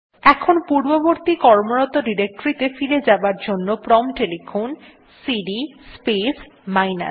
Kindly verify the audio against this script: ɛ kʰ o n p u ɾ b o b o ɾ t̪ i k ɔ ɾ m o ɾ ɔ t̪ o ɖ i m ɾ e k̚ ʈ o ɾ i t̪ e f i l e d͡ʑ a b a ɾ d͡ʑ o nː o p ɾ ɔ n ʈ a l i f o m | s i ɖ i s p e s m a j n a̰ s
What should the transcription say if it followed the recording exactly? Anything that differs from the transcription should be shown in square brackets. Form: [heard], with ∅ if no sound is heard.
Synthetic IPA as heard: ɛ kʰ o n p u ɾ b o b o ɾ t̪ i k ɔ ɾ m o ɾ ɔ t̪ o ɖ i [∅] ɾ e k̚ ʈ o ɾ i t̪ e f i l e d͡ʑ a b a ɾ d͡ʑ o nː o p ɾ ɔ [m] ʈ [e] l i f o [n] | s i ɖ i s p e s m a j n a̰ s

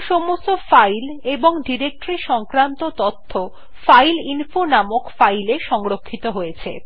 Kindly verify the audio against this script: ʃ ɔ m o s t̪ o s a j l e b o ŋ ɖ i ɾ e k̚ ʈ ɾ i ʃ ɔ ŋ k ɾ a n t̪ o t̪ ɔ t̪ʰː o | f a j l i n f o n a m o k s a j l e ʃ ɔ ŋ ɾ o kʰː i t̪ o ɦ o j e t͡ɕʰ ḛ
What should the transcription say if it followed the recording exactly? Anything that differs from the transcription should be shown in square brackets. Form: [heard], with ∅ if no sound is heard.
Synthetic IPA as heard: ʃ ɔ m o s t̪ o [f] a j l e b o ŋ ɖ i ɾ e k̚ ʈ ɾ i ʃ ɔ ŋ k ɾ a n t̪ o t̪ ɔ t̪ʰː o | f a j l i n f o n a m o k [f] a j l e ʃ ɔ ŋ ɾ o kʰː i t̪ o ɦ o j e t͡ɕʰ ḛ

